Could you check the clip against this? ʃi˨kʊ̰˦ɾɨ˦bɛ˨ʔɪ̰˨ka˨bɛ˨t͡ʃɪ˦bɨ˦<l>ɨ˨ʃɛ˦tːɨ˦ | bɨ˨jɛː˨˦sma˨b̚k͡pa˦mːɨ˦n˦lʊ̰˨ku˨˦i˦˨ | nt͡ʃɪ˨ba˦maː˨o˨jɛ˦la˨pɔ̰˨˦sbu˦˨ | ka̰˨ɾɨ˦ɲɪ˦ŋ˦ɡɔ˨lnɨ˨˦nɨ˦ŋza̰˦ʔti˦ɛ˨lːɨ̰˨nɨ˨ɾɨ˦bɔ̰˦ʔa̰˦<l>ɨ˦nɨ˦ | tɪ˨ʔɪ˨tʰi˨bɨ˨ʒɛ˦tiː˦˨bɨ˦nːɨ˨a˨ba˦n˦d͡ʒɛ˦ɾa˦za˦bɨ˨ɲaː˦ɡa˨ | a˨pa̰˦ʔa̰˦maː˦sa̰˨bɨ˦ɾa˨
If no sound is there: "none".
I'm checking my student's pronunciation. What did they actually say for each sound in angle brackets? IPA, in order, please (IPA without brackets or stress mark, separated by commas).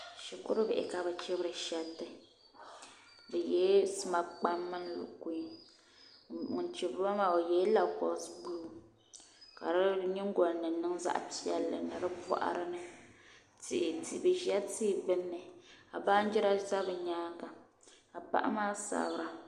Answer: ɾ, ɾ